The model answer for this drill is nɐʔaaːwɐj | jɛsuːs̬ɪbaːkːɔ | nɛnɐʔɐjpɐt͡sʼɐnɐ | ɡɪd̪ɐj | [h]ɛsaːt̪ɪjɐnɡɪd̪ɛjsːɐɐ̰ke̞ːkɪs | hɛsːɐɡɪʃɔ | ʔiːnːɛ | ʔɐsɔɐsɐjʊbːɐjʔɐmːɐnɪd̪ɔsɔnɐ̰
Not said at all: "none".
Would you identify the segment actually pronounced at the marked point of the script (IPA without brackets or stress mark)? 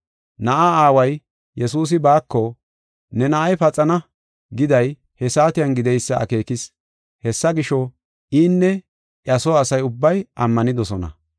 h